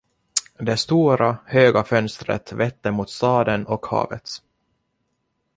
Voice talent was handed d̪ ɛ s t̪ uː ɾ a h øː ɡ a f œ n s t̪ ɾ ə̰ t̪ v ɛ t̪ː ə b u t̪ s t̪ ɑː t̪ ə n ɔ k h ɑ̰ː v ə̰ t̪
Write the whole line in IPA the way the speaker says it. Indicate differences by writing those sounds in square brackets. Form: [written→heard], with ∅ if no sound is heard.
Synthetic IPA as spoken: d̪ ɛ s t̪ uː ɾ a h øː ɡ a f œ n s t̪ ɾ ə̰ t̪ v ɛ t̪ː ə [b→m] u t̪ s t̪ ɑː [t̪→d̪] ə n ɔ k h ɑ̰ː v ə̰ t̪